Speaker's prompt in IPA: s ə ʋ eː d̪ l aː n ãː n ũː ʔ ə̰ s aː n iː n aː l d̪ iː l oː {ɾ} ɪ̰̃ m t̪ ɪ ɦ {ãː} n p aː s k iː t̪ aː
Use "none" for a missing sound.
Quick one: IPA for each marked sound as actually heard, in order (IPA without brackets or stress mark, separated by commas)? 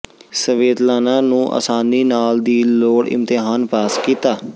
ɽ, aː